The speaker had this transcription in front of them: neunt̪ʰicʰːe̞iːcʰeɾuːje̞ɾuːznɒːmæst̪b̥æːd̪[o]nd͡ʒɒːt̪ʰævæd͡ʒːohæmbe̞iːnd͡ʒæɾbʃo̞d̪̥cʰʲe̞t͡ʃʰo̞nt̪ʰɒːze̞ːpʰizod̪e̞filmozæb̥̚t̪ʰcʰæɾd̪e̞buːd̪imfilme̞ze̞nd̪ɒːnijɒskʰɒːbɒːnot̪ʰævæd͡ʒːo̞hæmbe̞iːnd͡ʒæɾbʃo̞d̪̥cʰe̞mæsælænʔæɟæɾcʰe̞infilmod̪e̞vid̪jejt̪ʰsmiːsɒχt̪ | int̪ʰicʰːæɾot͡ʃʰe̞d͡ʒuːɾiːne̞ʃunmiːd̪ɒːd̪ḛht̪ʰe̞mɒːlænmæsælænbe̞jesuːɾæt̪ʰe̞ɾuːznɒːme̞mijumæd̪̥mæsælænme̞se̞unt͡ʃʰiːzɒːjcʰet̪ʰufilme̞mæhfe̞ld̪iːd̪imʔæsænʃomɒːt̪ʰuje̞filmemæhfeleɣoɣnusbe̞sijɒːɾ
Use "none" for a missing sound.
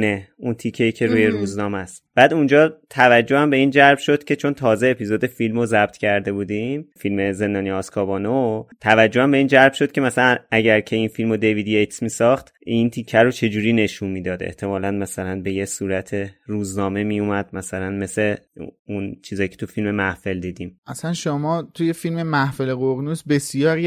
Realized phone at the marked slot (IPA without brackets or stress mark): u